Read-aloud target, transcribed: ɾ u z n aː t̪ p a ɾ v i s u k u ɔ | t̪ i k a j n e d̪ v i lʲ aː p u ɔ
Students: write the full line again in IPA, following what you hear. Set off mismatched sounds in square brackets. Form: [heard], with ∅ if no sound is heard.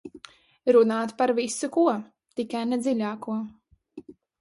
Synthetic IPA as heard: ɾ u [∅] n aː t̪ p a ɾ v i s u k u ɔ | t̪ i k a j n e d̪ [z] i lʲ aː [k] u ɔ